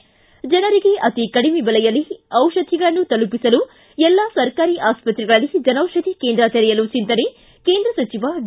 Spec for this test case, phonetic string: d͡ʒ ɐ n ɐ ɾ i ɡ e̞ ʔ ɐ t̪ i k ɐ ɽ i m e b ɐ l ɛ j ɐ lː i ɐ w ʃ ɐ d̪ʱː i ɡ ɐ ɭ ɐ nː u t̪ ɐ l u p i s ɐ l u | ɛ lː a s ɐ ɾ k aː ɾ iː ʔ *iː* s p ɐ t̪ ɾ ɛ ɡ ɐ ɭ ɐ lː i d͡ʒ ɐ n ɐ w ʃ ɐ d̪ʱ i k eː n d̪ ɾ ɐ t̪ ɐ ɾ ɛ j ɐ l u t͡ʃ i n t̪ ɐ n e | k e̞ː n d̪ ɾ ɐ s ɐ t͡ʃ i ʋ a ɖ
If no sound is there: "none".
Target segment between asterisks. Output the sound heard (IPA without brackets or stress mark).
aː